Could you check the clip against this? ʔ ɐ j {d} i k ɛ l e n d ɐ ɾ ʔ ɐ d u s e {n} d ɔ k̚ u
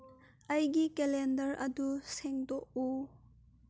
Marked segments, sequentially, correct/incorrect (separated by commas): incorrect, incorrect